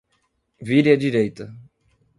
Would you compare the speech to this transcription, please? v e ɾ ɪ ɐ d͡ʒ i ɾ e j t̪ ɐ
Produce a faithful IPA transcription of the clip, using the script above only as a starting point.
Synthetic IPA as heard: v i ɾ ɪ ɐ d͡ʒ i ɾ e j t̪ ɐ